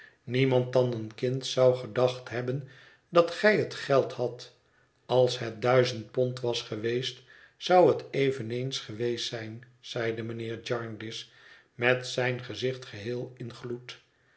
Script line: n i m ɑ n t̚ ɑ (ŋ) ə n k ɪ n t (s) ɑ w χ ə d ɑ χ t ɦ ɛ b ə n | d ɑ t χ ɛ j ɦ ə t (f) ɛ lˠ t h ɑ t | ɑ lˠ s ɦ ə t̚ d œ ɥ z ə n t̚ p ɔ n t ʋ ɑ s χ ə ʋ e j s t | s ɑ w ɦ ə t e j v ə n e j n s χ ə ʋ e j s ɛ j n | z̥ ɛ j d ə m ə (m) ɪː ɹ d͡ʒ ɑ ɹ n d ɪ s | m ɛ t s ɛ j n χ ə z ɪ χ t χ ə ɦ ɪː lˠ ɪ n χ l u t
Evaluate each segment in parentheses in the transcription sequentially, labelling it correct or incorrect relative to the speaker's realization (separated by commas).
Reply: incorrect, correct, incorrect, incorrect